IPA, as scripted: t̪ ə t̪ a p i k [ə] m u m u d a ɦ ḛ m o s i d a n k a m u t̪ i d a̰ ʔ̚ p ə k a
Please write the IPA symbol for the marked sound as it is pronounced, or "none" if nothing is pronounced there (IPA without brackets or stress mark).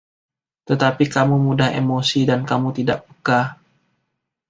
a